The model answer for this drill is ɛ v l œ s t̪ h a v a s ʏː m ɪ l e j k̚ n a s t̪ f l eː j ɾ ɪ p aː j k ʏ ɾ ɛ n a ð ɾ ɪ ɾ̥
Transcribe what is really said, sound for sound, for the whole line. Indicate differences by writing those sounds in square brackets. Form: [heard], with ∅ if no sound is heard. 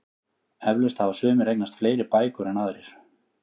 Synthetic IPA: ɛ v l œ s t̪ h a v a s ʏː m ɪ [ɾ] e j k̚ n a s t̪ f l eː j ɾ ɪ p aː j k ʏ ɾ ɛ n a ð ɾ ɪ ɾ̥